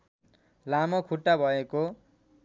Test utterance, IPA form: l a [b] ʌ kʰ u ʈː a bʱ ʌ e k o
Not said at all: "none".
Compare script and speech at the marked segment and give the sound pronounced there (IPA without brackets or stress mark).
m